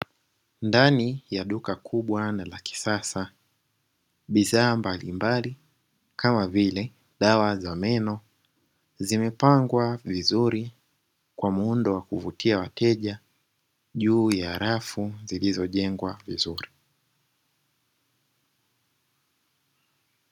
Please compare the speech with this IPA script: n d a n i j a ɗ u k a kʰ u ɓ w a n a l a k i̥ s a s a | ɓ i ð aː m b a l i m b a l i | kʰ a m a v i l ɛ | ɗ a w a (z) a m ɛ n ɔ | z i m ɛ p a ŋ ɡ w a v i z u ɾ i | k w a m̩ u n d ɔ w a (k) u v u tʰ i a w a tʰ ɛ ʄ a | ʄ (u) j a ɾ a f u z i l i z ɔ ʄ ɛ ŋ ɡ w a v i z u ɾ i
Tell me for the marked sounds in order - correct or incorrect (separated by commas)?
correct, correct, incorrect